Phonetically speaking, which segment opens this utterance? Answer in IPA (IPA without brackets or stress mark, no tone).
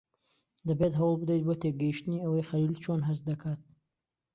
d̪